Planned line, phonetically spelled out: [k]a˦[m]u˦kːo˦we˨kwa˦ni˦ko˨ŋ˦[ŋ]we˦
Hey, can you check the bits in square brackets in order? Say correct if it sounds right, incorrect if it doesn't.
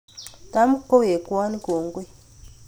incorrect, correct, incorrect

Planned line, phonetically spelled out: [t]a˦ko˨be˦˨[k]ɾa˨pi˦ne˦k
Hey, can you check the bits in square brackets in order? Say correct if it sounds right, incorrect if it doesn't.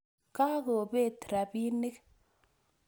incorrect, incorrect

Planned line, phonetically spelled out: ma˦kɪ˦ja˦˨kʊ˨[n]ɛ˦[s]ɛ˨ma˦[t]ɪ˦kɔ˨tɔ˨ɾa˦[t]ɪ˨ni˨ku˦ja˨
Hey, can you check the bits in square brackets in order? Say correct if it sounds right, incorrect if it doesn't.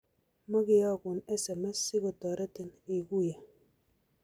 correct, correct, incorrect, correct

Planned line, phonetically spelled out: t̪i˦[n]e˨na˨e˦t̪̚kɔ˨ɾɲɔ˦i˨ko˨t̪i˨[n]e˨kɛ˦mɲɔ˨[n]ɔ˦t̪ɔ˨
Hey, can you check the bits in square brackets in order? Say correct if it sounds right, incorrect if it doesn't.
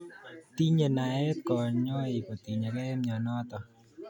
incorrect, incorrect, correct

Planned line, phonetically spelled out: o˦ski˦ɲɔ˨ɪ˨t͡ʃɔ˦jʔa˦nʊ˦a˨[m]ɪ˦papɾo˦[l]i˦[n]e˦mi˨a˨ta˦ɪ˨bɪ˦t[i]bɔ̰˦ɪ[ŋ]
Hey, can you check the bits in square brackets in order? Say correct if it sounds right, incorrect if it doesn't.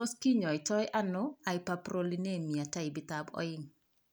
incorrect, correct, correct, incorrect, correct

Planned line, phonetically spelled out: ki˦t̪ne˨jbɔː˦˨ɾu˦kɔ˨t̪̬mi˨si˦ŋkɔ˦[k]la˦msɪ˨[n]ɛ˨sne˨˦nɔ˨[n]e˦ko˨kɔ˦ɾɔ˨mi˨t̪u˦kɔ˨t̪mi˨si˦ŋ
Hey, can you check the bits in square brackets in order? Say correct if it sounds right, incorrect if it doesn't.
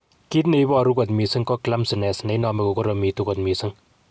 correct, correct, incorrect

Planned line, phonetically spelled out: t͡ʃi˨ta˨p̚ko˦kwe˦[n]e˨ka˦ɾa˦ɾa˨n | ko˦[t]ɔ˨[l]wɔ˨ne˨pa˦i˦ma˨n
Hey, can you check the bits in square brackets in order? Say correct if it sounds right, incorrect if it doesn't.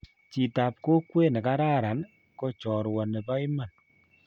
correct, incorrect, incorrect

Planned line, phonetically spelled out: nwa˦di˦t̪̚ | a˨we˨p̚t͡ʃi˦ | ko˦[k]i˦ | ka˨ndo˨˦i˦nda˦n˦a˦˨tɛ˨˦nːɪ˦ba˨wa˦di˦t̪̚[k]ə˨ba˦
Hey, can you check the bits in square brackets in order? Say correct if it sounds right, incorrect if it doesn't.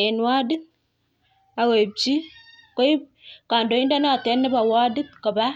incorrect, correct

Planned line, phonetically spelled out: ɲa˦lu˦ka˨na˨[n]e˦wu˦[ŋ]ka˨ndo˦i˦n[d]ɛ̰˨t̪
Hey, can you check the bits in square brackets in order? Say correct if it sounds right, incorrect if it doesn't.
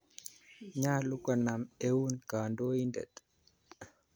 incorrect, incorrect, correct

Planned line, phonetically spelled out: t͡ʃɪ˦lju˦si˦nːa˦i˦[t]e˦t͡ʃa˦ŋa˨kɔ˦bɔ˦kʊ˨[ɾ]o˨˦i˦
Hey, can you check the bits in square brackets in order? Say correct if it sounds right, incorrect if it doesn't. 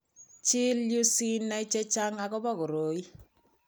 incorrect, correct

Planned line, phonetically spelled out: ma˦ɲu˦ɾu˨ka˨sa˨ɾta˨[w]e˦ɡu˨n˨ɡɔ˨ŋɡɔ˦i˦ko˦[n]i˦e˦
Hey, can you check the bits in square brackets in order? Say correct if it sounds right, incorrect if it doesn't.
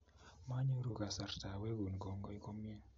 correct, incorrect

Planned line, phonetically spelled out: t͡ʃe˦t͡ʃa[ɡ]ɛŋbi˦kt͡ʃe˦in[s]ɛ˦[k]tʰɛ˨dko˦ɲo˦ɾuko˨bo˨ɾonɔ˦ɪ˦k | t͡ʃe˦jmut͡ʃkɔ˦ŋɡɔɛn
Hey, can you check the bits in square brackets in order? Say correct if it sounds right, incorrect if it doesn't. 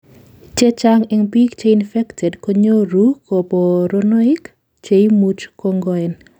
incorrect, incorrect, correct

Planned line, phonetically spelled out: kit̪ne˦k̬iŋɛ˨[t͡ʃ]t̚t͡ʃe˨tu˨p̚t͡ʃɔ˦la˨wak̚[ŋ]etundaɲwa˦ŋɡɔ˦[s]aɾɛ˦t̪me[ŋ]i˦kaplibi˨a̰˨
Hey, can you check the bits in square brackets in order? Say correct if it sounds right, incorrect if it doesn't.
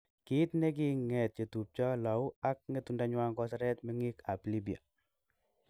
incorrect, correct, correct, correct

